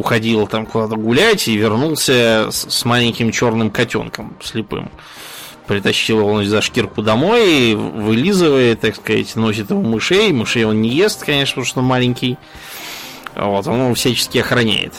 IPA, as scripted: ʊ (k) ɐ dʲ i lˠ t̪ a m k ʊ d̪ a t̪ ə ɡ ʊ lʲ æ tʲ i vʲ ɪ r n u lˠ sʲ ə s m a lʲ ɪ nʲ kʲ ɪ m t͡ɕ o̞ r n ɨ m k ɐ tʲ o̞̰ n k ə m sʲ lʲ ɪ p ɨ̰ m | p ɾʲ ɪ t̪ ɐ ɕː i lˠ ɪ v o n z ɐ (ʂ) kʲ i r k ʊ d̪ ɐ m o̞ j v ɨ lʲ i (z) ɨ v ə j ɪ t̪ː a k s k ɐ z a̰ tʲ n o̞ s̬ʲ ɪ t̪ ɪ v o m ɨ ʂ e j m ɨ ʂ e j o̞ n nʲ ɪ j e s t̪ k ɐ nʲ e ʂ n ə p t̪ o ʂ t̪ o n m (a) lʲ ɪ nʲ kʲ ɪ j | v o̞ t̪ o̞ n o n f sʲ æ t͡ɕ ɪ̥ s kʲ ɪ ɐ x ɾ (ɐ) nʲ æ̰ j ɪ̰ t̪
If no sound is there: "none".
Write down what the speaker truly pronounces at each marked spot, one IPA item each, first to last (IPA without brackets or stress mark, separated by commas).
x, ʂ, z, a, ɐ